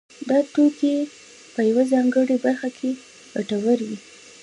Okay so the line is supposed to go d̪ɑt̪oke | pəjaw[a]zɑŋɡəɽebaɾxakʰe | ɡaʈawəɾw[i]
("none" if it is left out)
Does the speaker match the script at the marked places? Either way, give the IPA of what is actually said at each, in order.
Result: a, i

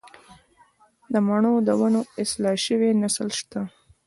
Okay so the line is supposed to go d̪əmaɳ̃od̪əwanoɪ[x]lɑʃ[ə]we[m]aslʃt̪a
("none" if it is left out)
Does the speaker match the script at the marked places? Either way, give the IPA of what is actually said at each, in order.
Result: s, ə, n

